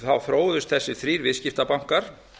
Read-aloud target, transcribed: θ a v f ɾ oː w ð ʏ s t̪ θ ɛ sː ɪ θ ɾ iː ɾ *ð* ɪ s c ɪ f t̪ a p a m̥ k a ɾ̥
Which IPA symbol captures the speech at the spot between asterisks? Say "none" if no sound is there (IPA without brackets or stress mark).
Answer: v